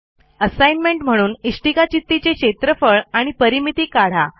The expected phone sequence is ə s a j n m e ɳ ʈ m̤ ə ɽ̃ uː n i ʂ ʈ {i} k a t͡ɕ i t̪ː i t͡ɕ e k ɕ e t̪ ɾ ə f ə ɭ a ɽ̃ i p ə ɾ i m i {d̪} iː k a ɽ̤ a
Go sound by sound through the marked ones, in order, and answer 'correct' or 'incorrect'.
correct, incorrect

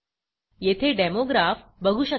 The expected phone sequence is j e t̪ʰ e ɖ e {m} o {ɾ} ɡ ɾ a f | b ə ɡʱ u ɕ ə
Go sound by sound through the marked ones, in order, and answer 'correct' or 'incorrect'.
correct, incorrect

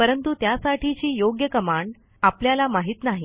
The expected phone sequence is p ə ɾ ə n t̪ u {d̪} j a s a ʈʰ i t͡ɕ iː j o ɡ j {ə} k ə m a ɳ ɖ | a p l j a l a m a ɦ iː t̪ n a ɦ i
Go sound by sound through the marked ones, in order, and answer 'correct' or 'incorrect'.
incorrect, correct

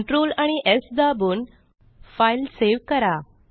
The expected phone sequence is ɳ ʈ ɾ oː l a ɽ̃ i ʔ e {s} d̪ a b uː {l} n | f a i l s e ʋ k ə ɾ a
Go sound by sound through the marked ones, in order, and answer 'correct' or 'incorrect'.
correct, incorrect

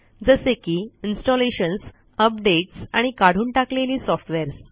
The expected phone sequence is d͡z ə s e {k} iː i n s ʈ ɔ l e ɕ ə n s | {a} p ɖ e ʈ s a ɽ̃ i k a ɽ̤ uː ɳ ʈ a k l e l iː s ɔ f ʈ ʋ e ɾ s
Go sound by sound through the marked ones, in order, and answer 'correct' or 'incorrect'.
correct, incorrect

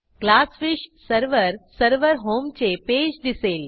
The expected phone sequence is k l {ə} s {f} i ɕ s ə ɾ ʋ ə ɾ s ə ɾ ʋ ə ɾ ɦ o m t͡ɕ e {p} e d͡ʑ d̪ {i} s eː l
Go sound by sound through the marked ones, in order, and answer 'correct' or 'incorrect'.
incorrect, correct, correct, correct

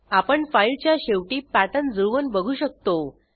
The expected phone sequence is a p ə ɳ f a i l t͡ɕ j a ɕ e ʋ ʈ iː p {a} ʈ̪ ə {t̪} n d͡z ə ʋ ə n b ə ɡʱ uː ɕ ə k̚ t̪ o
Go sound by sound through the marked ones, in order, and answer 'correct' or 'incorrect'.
correct, incorrect

